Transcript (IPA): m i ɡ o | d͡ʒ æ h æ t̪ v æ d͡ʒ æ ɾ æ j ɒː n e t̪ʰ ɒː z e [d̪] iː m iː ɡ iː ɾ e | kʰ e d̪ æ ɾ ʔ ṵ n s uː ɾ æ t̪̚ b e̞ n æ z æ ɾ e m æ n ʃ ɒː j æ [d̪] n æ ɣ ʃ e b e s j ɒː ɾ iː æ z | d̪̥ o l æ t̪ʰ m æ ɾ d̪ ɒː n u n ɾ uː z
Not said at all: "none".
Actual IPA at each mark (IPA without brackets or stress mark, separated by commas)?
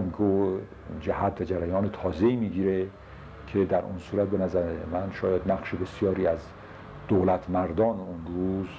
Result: none, d̪